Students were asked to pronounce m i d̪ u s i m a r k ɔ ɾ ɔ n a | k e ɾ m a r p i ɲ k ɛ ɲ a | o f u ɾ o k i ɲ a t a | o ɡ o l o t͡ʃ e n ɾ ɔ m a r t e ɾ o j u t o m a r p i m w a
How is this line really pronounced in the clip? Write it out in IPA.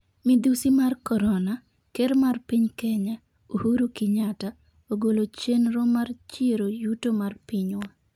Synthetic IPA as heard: m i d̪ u s i m a r k ɔ ɾ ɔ n a | k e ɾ m a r p i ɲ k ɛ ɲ a | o h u ɾ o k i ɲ a t a | o ɡ o l o t͡ʃ e n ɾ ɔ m a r t͡ʃ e ɾ o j u t o m a r p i ɲ w a